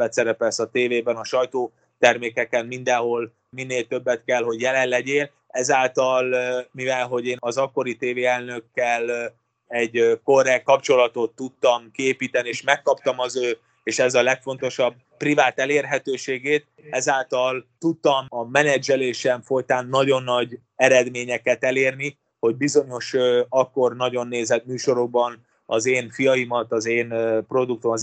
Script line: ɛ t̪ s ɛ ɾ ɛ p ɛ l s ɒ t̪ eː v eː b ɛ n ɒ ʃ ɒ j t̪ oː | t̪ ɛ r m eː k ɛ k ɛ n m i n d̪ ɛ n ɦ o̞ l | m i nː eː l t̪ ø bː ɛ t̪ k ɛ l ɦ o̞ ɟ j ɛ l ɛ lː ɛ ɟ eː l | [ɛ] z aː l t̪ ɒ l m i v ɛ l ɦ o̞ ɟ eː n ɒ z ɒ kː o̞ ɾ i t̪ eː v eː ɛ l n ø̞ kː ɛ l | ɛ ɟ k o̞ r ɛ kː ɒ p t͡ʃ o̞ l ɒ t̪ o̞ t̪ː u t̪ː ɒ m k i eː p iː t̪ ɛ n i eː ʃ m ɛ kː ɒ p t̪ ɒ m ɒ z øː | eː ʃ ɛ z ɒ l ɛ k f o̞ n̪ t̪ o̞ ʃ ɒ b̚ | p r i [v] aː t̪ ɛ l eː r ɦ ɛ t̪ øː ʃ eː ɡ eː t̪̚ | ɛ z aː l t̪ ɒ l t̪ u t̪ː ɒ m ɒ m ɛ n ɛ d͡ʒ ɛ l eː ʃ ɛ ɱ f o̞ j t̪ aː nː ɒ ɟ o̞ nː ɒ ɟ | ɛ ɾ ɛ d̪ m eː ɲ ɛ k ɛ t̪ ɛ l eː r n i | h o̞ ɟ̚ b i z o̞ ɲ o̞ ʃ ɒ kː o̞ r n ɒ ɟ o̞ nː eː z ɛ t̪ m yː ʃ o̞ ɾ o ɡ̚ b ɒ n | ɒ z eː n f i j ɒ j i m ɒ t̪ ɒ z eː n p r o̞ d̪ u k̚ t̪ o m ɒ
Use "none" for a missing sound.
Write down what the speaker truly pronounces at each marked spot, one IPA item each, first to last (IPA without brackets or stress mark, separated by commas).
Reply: ɛ, v